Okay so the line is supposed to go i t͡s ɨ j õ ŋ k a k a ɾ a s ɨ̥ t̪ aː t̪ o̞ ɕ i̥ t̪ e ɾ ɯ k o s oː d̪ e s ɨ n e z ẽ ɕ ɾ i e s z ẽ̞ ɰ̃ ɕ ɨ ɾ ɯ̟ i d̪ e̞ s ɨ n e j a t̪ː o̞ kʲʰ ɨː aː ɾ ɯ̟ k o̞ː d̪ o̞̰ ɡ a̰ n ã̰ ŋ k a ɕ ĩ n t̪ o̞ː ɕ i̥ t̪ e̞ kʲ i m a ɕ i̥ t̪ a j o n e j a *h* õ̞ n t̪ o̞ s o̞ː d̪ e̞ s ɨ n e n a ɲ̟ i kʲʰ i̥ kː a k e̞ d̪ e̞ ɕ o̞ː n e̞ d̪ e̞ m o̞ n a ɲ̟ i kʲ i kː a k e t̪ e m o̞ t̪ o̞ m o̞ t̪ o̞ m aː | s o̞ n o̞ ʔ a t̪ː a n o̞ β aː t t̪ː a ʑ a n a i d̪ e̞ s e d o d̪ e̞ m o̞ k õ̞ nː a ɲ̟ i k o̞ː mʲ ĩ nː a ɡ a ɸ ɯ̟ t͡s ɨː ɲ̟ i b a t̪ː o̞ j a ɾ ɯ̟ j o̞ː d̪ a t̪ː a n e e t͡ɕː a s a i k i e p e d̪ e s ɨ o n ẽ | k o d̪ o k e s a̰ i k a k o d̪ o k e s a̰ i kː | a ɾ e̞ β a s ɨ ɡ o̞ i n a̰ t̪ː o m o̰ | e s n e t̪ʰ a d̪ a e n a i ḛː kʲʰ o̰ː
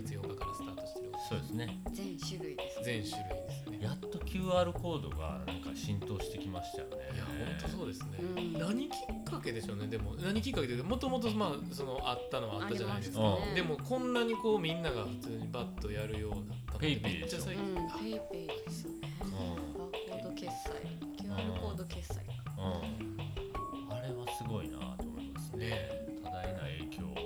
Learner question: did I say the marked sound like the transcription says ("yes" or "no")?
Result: yes